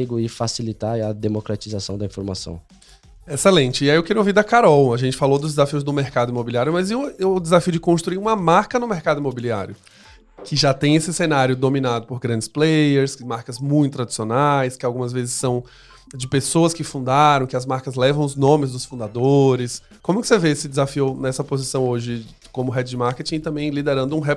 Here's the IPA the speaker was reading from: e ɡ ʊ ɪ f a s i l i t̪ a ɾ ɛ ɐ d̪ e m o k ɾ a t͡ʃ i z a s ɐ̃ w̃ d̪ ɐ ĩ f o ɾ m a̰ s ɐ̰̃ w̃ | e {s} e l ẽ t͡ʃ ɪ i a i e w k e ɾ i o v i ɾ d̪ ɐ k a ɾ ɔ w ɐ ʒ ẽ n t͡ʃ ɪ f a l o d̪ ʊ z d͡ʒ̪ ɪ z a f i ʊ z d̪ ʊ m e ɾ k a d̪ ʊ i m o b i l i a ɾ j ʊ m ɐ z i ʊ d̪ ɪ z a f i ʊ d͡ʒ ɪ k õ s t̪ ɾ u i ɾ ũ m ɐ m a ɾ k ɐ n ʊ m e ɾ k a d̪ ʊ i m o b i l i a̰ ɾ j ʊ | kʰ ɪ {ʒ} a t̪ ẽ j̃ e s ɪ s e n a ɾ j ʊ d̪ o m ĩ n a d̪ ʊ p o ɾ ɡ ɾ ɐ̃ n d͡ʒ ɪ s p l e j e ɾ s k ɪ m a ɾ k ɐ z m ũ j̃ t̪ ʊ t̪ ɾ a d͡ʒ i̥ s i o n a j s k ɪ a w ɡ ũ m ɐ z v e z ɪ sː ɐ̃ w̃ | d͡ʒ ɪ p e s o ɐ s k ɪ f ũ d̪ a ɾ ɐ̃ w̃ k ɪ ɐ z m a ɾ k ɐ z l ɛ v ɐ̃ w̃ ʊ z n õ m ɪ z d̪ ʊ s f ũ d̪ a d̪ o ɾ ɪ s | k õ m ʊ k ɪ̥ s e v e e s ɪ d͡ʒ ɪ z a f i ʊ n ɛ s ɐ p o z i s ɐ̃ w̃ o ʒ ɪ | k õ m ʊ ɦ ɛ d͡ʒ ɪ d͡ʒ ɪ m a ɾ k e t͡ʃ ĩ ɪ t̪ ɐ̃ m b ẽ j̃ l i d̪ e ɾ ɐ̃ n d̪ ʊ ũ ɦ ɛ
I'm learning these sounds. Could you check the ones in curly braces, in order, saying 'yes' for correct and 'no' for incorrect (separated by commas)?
yes, yes